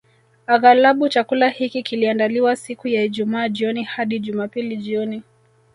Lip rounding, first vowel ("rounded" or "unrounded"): unrounded